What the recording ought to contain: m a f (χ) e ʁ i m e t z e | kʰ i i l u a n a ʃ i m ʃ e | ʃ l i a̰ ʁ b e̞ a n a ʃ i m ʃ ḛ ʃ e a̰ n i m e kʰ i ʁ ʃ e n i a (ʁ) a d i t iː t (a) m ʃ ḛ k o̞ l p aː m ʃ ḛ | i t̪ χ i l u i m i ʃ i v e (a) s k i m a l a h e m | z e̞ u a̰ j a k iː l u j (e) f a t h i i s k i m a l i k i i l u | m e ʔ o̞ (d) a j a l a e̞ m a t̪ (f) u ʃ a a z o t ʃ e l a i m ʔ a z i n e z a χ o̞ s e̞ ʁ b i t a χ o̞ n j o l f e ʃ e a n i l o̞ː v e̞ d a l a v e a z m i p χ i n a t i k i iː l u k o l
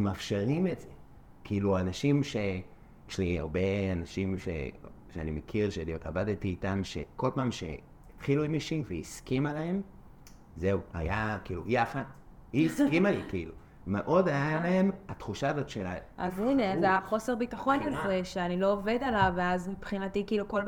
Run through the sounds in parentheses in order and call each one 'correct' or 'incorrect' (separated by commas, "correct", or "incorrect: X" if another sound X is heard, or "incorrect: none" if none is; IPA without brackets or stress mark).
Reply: incorrect: ʃ, incorrect: v, correct, incorrect: i, incorrect: a, correct, incorrect: χ